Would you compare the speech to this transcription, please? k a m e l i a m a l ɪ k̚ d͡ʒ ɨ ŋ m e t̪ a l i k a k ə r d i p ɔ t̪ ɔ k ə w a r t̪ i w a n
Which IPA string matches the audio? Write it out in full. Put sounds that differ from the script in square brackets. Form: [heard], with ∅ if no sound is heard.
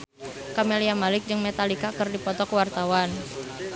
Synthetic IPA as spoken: k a m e l i a m a l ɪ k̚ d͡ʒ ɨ ŋ m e t̪ a l i k a k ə r d i p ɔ t̪ ɔ k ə w a r t̪ [a] w a n